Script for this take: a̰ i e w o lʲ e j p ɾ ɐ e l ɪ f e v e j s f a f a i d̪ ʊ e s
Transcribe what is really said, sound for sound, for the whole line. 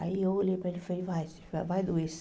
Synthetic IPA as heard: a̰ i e w o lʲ e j p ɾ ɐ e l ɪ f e v a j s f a v a j d̪ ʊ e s

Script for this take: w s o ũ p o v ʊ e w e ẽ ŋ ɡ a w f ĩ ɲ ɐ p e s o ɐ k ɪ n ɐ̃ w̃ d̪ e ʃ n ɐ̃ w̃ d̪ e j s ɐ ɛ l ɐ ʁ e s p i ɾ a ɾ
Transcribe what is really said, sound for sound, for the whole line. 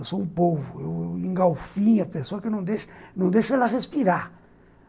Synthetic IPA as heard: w s o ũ p o v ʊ e w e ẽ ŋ ɡ a w f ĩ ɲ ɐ p e s o ɐ k ɪ n ɐ̃ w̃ d̪ e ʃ n ɐ̃ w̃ d̪ e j ʃ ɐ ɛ l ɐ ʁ e s p i ɾ a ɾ

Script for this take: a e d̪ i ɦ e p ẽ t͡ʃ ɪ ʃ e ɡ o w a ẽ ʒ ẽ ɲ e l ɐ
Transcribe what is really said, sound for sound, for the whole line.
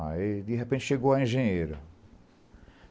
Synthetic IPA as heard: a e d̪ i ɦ e p ẽ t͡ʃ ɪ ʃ e ɡ o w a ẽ ʒ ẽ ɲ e ɾ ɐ

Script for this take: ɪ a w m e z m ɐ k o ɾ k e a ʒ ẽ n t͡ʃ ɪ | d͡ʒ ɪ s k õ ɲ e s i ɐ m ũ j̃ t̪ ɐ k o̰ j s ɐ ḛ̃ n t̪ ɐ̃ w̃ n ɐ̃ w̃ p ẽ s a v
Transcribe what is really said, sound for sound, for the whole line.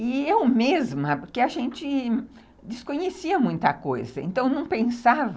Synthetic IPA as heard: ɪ e w m e z m ɐ p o ɾ k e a ʒ ẽ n t͡ʃ ɪ | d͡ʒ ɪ s k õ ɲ e s i ɐ m ũ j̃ t̪ ɐ k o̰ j z ɐ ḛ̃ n t̪ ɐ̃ w̃ n ɐ̃ w̃ p ẽ s a v

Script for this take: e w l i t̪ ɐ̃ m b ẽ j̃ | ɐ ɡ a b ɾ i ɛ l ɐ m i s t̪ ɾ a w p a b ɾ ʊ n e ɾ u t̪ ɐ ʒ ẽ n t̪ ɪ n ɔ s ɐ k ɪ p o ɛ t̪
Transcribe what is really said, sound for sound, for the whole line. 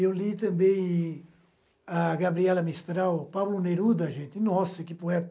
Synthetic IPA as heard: e w l i t̪ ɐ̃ m b ẽ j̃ | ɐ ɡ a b ɾ i ɛ l ɐ m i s t̪ ɾ a w p a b l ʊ n e ɾ u d̪ ɐ ʒ ẽ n t̪ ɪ n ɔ s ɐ k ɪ p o ɛ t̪

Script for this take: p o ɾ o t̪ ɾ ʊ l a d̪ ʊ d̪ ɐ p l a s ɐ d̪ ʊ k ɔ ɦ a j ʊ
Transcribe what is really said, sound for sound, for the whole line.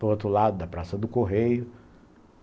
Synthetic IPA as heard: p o ɾ o t̪ ɾ ʊ l a d̪ ʊ d̪ ɐ p ɾ a s ɐ d̪ ʊ k o ɦ e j ʊ

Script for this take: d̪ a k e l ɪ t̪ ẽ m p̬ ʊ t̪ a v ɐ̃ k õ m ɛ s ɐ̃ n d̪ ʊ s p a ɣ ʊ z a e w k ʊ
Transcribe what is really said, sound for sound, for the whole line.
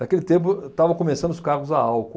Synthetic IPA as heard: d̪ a k e l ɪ t̪ ẽ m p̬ ʊ t̪ a v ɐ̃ k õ m e s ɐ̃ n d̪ ʊ s k a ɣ ʊ z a a w k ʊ

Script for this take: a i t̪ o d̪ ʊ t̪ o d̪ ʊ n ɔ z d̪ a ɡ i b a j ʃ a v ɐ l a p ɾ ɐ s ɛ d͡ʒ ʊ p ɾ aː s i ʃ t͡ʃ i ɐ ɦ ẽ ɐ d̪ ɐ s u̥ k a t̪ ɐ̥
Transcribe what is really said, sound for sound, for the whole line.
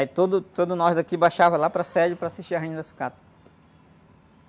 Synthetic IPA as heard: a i t̪ o d̪ ʊ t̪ o d̪ ʊ n ɔ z d̪ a k i b a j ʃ a v ɐ l a p ɾ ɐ s ɛ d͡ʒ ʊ p ɾ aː s i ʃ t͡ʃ i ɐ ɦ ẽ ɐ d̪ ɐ s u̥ k a t̪ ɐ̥

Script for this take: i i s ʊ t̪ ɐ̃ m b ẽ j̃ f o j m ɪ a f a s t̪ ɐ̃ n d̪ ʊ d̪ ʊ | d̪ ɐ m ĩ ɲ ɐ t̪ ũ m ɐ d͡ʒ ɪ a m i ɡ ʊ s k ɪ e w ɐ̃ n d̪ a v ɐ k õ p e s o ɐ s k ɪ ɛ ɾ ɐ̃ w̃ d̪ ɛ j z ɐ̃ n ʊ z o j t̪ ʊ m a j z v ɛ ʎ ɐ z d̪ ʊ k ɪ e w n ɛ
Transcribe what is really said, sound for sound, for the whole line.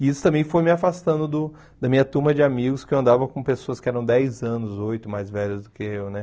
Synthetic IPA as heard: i i s ʊ t̪ ɐ̃ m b ẽ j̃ f o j m ɪ a f a s t̪ ɐ̃ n d̪ ʊ d̪ ʊ | d̪ ɐ m ĩ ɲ ɐ t̪ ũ m ɐ d͡ʒ ɪ a m i ɡ ʊ s k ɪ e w ɐ̃ n d̪ a v ɐ k õ p e s o ɐ s k ɪ ɛ ɾ ɐ̃ w̃ d̪ ɛ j z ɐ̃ n ʊ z o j t̪ ʊ m a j z v ɛ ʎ ɐ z d̪ ʊ k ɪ e w n ɛ

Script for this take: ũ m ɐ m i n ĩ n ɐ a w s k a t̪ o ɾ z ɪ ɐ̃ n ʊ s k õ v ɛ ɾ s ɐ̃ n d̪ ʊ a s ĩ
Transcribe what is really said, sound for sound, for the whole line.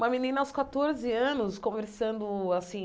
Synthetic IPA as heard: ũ m ɐ m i n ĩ n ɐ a w s k a t̪ o ɾ z ɪ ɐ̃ n ʊ s k õ v e ɾ s ɐ̃ n d̪ ʊ a s ĩ

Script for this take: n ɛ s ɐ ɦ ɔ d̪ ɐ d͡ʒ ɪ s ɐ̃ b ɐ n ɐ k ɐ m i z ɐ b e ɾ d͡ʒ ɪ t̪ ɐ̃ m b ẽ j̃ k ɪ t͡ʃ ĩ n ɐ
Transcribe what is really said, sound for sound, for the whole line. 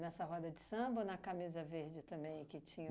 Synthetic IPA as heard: n ɛ s ɐ ɦ ɔ d̪ ɐ d͡ʒ ɪ s ɐ̃ b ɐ n ɐ k a m i z ɐ v e ɾ d͡ʒ ɪ t̪ ɐ̃ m b ẽ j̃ k ɪ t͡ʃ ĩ ɲ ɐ

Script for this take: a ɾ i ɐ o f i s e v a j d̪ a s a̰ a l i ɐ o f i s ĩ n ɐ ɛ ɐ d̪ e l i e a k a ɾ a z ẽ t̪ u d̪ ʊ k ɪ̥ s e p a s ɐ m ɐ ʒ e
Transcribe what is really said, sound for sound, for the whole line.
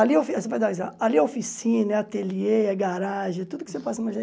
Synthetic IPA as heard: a l i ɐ o f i s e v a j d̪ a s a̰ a l i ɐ o f i s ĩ n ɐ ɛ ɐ t̪ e l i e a ɡ a ɾ a ʒ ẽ t̪ u d̪ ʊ k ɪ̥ s e p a s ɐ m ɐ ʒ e

